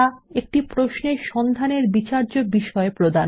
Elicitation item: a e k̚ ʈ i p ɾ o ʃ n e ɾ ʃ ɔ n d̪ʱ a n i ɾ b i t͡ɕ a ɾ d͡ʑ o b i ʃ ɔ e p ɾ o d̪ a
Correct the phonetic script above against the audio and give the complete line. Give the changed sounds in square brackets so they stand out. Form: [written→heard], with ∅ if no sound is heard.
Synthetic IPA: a e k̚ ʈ i p ɾ o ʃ n e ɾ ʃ ɔ n d̪ʱ a n [i→e] ɾ b i t͡ɕ a ɾ d͡ʑ o b i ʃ ɔ e p ɾ o d̪ a